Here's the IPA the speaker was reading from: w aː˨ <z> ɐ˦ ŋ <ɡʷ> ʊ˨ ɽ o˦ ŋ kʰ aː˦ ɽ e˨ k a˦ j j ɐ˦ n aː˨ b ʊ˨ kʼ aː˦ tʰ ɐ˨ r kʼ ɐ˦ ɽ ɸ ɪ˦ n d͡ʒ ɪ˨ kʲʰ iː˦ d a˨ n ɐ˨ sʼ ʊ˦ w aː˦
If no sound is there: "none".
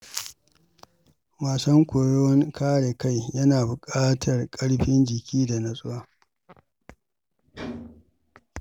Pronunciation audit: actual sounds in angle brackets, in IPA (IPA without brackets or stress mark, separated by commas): s, kʷ